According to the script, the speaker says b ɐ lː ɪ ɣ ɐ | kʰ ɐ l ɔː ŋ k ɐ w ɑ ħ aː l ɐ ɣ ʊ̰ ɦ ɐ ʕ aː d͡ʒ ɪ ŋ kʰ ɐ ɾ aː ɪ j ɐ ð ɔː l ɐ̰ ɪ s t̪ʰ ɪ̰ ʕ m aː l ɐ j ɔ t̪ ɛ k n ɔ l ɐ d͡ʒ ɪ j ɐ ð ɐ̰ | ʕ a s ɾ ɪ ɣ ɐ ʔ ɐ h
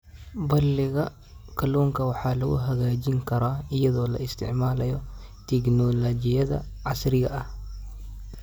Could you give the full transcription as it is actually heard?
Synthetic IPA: b ɐ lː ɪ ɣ ɐ | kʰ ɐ l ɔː ŋ k ɐ w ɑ ħ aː l ɐ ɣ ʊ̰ ɦ ɐ ɣ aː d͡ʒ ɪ ŋ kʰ ɐ ɾ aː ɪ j ɐ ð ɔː l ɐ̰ ɪ s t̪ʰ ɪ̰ ʕ m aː l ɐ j ɔ t̪ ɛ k n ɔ l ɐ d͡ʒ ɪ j ɐ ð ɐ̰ | ʕ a s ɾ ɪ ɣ ɐ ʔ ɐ h